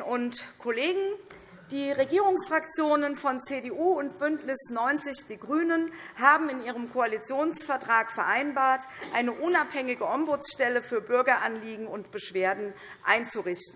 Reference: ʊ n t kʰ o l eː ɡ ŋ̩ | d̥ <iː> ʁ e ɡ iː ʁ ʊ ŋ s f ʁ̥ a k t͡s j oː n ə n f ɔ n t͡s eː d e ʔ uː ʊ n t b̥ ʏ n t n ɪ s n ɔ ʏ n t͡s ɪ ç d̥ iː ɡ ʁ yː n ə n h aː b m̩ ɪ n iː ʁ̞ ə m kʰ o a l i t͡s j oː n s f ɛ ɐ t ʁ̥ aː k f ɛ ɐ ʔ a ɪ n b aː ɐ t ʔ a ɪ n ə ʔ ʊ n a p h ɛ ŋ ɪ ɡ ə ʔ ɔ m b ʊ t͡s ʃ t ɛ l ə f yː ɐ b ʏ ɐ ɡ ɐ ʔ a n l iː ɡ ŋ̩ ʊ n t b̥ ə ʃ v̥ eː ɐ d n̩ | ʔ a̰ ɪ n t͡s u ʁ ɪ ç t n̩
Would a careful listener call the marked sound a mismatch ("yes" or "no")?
no